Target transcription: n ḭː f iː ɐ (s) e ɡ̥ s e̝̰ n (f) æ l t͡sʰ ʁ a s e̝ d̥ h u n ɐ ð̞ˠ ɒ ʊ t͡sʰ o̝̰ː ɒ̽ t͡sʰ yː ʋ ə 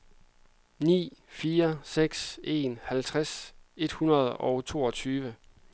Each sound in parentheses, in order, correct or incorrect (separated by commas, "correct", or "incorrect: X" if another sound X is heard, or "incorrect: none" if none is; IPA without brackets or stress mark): correct, incorrect: h